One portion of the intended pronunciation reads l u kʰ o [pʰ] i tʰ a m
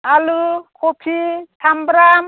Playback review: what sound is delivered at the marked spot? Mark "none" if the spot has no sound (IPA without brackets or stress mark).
pʰ